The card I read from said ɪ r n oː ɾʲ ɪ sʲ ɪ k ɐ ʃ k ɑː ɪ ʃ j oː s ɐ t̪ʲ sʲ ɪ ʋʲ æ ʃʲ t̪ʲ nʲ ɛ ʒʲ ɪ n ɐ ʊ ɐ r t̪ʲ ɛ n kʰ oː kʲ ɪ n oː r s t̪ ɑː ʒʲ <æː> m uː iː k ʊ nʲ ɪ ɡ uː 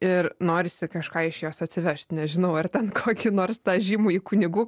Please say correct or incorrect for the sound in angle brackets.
incorrect